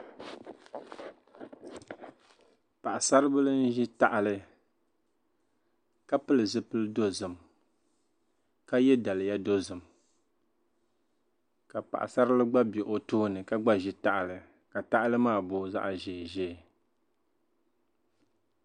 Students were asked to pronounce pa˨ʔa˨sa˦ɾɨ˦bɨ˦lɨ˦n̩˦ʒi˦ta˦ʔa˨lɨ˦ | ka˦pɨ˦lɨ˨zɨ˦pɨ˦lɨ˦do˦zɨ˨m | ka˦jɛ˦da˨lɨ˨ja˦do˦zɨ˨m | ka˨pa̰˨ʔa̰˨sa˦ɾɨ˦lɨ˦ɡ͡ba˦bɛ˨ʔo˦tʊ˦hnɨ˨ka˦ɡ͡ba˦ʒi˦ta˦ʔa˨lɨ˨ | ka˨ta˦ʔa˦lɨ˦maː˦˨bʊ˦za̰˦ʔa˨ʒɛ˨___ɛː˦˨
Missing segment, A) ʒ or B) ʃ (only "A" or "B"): A